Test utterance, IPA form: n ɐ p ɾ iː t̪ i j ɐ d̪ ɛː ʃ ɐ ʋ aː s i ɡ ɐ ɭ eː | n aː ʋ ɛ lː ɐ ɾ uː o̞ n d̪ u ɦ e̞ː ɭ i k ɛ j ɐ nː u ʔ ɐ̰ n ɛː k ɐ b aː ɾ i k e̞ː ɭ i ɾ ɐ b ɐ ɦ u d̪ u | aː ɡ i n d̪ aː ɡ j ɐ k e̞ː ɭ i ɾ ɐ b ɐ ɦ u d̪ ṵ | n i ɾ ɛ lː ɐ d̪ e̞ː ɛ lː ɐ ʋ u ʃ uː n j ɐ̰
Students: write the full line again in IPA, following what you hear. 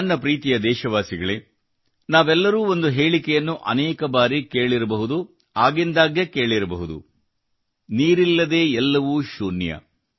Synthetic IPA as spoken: nː ɐ p ɾ iː t̪ i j ɐ d̪ ɛː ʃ ɐ ʋ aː s i ɡ ɐ ɭ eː | n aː ʋ ɛ lː ɐ ɾ uː o̞ n d̪ u ɦ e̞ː ɭ i k ɛ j ɐ nː u ʔ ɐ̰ n ɛː k ɐ b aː ɾ i k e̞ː ɭ i ɾ ɐ b ɐ ɦ u d̪ u | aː ɡ i n d̪ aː ɡ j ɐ k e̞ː ɭ i ɾ ɐ b ɐ ɦ u d̪ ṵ | n iː ɾ i lː ɐ d̪ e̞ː ɛ lː ɐ ʋ u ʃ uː n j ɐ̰